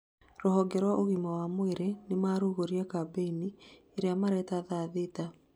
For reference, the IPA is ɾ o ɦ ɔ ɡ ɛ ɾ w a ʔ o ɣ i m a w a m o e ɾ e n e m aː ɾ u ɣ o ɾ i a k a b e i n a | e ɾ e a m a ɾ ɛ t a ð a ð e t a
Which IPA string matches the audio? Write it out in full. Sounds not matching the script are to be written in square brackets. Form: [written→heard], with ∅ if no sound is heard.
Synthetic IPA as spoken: ɾ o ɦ ɔ ɡ ɛ ɾ w a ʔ o ɣ i m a w a m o e ɾ e n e m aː ɾ u ɣ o ɾ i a k a b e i n [a→i] | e ɾ e a m a ɾ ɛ t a ð a ð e t a